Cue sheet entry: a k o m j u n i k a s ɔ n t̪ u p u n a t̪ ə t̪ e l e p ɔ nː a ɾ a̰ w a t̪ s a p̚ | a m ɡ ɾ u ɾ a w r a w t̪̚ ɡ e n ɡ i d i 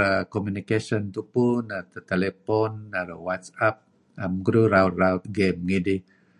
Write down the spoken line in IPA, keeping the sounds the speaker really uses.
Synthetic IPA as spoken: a k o m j u n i k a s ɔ n t̪ u p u n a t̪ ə t̪ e l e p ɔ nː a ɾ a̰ w a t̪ s a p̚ | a m ɡ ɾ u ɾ a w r a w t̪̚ ɡ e m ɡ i d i